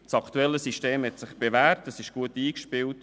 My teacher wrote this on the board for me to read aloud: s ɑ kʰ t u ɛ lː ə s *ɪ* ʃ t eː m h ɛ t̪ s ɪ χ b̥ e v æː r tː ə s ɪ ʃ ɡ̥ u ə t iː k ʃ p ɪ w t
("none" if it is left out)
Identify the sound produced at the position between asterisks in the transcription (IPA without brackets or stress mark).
i